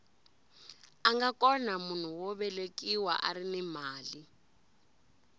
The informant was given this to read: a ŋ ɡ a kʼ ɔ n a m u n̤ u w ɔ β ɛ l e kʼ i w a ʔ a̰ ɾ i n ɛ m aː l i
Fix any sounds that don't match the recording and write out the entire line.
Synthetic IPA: a ŋ ɡ a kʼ ɔ n a m u n̤ u w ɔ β ɛ l e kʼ i w a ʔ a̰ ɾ i n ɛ m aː l i